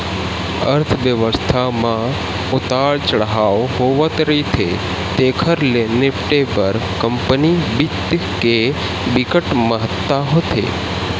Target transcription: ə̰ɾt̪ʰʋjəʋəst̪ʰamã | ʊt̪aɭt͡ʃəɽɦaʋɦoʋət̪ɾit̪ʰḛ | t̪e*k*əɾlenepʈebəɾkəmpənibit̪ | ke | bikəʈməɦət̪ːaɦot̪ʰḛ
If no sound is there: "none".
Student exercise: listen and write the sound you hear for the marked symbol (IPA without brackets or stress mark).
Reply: kʰ